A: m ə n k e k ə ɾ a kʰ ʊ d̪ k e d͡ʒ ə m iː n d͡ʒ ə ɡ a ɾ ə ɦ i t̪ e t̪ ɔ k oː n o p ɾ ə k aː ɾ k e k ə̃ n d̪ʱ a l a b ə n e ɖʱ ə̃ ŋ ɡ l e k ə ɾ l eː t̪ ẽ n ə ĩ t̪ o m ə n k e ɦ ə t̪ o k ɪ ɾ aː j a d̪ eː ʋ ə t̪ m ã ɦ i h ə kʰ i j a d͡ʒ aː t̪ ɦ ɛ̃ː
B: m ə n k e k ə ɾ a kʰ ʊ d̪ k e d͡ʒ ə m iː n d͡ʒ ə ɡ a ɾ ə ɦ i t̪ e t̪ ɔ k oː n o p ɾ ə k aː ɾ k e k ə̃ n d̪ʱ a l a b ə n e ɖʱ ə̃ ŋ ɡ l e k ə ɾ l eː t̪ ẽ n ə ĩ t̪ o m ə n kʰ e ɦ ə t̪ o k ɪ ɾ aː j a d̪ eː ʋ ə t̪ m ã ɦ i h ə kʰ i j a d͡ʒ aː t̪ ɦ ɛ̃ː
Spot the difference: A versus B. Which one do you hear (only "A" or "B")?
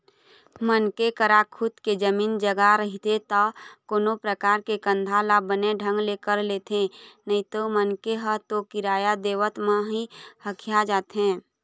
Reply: A